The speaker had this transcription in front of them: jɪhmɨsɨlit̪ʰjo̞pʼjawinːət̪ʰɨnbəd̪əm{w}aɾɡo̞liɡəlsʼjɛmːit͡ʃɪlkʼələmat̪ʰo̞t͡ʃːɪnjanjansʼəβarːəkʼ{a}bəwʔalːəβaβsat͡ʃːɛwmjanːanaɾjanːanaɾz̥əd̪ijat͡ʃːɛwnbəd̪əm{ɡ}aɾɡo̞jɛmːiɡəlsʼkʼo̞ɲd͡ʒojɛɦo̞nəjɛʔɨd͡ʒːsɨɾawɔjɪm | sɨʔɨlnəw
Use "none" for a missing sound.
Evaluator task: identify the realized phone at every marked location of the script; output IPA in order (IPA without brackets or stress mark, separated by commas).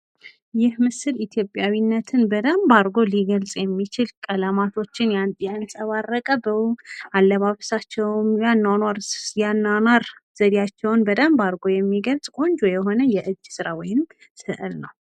b, ə, b